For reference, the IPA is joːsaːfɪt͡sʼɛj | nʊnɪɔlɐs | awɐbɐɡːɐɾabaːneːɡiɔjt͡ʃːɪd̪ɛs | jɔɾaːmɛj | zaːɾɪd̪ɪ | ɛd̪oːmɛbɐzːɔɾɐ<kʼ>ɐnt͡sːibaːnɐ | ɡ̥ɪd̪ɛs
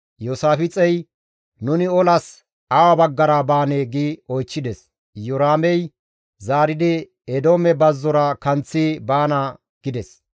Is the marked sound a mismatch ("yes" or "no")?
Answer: yes